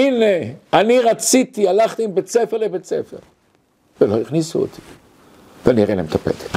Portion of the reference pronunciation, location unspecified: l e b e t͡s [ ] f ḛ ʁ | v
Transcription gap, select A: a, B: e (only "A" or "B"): B